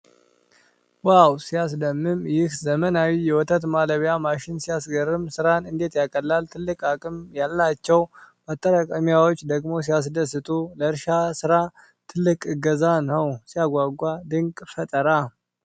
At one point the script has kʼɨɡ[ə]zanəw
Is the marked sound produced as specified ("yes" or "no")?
yes